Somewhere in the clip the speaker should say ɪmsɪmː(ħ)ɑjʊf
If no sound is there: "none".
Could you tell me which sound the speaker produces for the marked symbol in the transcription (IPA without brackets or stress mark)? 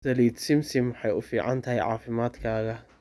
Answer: ħ